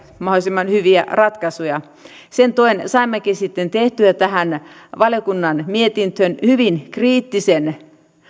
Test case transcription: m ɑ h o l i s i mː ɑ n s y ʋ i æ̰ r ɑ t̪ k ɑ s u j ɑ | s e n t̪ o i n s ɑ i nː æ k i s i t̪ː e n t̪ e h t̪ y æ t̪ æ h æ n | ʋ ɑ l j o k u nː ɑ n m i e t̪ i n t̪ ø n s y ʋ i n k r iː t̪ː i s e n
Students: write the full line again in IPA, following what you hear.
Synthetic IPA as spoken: m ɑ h o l i s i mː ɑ n h y ʋ i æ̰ r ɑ t̪ k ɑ s u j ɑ | s e n t̪ o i n s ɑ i mː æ k i s i t̪ː e n t̪ e h t̪ y æ t̪ æ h æ n | ʋ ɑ l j o k u nː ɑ n m i e t̪ i n t̪ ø n h y ʋ i n k r iː t̪ː i s e n

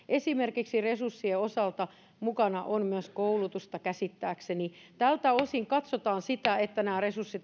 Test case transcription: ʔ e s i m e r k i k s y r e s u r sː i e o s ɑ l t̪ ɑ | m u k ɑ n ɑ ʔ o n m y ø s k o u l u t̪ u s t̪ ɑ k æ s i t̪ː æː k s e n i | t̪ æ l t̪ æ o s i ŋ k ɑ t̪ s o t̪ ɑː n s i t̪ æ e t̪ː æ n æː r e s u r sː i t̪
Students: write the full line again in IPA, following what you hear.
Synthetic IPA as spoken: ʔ e s i m e r k i k s i r e s u r sː i e o s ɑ l t̪ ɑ | m u k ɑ n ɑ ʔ o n m y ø s k o u l u t̪ u s t̪ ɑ k æ s i t̪ː æː k s e n i | t̪ æ l t̪ æ o s i ŋ k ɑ t̪ s o t̪ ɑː n s i t̪ æ e t̪ː æ n æː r e s u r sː i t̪

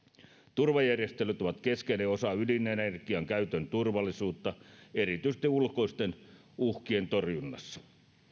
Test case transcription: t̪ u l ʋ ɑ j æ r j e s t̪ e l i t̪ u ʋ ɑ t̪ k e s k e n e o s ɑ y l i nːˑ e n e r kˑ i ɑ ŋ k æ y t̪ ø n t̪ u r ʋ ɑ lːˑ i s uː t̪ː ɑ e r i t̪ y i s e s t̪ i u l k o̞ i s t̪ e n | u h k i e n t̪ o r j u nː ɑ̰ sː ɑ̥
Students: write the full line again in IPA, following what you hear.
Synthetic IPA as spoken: t̪ u r ʋ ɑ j æ r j e s t̪ e l y t̪ o ʋ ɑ t̪ k e s k e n e o s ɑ y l i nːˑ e n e r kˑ i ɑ ŋ k æ y t̪ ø n t̪ u r ʋ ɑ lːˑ i s uː t̪ː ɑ e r i t̪ y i s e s t̪ i u l k o̞ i s t̪ e n | u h k i e n t̪ o r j u nː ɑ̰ sː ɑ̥

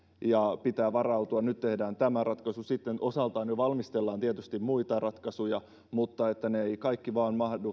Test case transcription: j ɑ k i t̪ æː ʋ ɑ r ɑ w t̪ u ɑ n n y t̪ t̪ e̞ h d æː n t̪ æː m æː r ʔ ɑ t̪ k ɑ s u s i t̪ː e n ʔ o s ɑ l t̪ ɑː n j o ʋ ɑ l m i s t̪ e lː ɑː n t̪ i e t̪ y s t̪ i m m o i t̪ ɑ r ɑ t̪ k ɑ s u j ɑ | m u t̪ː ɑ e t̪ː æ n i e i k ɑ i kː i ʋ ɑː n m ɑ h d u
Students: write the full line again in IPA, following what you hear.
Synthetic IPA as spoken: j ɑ p i t̪ æː ʋ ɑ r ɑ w t̪ u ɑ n n y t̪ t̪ e̞ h d æː n t̪ æ m æ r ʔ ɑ t̪ k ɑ s u s i t̪ː e n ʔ o s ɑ l t̪ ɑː n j o ʋ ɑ l m i s t̪ e lː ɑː n t̪ i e t̪ y s t̪ i m m u i t̪ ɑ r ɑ t̪ k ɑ s u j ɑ | m u t̪ː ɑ e t̪ː æ n e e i k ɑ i kː i ʋ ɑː n m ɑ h d u

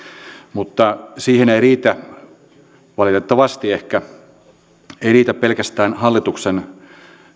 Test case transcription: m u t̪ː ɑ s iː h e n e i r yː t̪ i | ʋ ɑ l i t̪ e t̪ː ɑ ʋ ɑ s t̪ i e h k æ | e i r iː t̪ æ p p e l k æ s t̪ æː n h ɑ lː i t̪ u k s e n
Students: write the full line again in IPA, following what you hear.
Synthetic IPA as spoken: m u t̪ː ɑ s iː h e n e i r iː t̪ æ | ʋ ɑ l i t̪ e t̪ː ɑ ʋ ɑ s t̪ i e h k æ | e i r iː t̪ æ p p e l k æ s t̪ æː n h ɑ lː i t̪ u k s e n

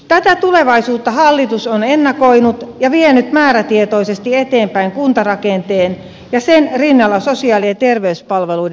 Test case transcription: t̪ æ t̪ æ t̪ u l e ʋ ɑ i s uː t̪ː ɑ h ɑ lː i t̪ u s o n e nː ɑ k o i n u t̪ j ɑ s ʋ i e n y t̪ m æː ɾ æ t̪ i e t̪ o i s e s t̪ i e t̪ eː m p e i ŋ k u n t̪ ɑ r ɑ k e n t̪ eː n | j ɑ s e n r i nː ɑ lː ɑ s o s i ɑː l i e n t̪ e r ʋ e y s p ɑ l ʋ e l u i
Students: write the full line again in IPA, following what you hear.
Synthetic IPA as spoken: t̪ æ t̪ æ t̪ u l e ʋ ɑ i s uː t̪ː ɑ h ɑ lː i t̪ u s o n e nː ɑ k o i n u t̪ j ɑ ʋ i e n y t̪ m æː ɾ æ t̪ i e t̪ o i s e s t̪ i e t̪ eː m p æ i ŋ k u n t̪ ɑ r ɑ k e n t̪ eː n | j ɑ s e n r i nː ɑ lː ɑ s o s i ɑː l i e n t̪ e r ʋ e y s p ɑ l ʋ e l u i

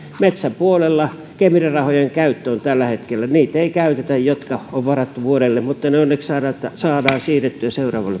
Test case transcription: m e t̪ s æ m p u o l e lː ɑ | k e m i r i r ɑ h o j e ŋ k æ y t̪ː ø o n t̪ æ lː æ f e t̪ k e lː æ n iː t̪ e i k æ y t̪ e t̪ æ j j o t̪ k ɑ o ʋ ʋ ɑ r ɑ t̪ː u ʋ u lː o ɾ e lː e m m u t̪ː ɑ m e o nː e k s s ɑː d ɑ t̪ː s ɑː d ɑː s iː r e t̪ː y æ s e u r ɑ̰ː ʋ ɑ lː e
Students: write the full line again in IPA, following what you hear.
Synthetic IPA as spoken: m e t̪ s æ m p u o l e lː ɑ | k e m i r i r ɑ h o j e ŋ k æ y t̪ː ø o n t̪ æ lː æ h e t̪ k e lː æ n iː t̪ e i k æ y t̪ e t̪ æ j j o t̪ k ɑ o ʋ ʋ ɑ r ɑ t̪ː u ʋ u o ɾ e lː e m m u t̪ː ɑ n e o nː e k s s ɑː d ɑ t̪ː s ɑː d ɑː s iː r e t̪ː y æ s e u r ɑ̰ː ʋ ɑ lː e

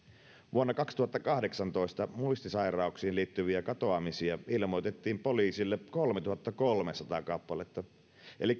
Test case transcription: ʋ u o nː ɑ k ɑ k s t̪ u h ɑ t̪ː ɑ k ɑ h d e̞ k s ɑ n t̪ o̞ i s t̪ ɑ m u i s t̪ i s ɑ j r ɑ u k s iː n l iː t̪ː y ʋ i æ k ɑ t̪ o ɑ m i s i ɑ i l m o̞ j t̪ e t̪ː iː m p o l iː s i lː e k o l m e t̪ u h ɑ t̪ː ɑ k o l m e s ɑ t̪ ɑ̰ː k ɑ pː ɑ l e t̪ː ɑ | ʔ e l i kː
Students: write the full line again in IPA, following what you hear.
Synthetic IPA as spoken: ʋ u o nː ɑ k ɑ k s t̪ u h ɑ t̪ː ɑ k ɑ h d e̞ k s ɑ n t̪ o̞ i s t̪ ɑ m u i s t̪ i s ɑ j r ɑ u k s iː n l iː t̪ː y ʋ i æ k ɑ t̪ o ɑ m i s i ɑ i l m o̞ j t̪ e t̪ː iː m p o l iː s i lː e k o l m e t̪ u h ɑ t̪ː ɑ k o l m e s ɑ t̪ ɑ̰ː k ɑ pː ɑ l e t̪ː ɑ | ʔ e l i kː

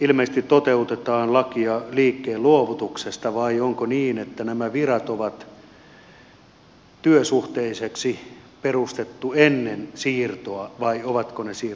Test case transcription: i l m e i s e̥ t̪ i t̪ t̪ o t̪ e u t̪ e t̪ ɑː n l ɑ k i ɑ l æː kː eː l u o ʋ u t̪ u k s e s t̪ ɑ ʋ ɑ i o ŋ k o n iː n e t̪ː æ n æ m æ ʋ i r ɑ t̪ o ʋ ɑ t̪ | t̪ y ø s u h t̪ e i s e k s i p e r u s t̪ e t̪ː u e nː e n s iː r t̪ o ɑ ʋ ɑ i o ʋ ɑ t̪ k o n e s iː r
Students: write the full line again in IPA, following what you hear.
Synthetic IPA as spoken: i l m e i s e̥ t̪ i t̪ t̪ o t̪ e u t̪ e t̪ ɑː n l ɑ k i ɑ l iː kː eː l u o ʋ u t̪ u k s e s t̪ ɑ ʋ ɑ i o ŋ k o n iː n e t̪ː æ n æ m æ ʋ i r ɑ t̪ o ʋ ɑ t̪ | t̪ y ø s u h t̪ e i s e k s i p e r u s t̪ e t̪ː u e nː e n s iː r t̪ o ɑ ʋ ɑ i o ʋ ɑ t̪ k o n e s iː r

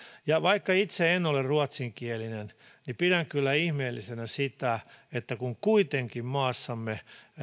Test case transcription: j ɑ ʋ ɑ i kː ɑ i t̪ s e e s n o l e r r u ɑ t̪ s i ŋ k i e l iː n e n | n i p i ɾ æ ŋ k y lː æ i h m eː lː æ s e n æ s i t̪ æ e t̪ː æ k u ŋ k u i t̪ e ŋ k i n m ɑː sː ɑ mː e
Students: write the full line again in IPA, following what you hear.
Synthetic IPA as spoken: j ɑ ʋ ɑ i kː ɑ i t̪ s e e n o l e r r u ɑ t̪ s i ŋ k i e l i n e n | n i p i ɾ æ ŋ k y lː æ i h m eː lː i s e n æ s i t̪ æ e t̪ː æ k u ŋ k u i t̪ e ŋ k i m m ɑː sː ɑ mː e

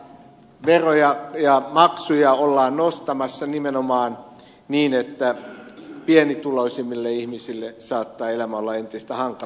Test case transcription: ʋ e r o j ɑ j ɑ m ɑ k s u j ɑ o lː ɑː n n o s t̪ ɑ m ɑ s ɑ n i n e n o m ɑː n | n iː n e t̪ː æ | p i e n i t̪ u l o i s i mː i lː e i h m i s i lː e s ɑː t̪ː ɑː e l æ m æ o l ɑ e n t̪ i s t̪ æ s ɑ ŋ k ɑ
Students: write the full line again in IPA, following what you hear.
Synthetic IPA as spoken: ʋ e r o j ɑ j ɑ m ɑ k s u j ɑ o lː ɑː n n o s t̪ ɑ m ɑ sː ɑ n i m e n o m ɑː n | n iː n e t̪ː æ | p i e n i t̪ u l o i s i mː i lː e i h m i s i lː e s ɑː t̪ː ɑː e l æ m æ o lː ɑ e n t̪ i s t̪ æ h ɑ ŋ k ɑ

